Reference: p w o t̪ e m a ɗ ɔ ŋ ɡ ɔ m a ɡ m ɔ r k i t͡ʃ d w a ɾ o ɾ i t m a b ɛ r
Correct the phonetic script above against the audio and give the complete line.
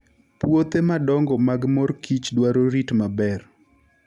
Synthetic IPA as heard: p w o t̪ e m a d ɔ ŋ ɡ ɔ m a ɡ m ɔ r k i t͡ʃ d w a ɾ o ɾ i t m a b ɛ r